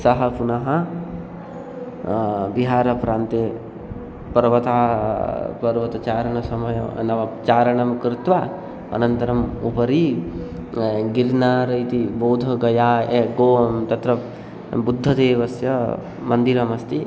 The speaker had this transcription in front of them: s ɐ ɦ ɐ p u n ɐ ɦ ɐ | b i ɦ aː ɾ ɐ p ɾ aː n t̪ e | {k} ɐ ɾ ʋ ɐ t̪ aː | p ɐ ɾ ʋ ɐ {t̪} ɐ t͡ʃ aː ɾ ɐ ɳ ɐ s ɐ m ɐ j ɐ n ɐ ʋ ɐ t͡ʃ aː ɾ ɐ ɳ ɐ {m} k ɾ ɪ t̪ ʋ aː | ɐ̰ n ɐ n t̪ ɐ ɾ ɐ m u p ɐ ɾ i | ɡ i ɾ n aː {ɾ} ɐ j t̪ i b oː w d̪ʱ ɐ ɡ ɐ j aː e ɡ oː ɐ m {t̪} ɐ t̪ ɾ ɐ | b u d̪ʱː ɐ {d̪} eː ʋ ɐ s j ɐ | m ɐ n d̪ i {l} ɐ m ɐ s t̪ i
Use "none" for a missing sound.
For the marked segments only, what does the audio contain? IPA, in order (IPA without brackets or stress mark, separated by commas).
p, t̪, m, ɾ, t̪, d̪, ɾ